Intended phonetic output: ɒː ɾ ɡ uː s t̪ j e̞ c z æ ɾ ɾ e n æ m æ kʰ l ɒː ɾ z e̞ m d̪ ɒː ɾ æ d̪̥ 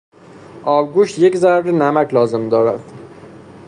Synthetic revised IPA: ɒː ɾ ɡ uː ʃ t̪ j e̞ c z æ ɾ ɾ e n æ m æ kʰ l ɒː z e̞ m d̪ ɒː ɾ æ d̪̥